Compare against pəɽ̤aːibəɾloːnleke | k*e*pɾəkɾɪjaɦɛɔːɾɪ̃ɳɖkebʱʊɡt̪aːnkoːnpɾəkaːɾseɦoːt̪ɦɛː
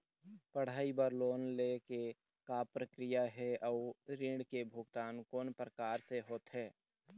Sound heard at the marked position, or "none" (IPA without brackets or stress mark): a